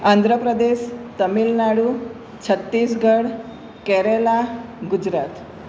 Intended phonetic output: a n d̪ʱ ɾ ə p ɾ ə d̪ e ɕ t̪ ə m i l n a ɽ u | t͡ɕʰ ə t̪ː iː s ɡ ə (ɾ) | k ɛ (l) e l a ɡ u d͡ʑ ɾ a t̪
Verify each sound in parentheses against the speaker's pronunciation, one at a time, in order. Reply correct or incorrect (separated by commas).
incorrect, incorrect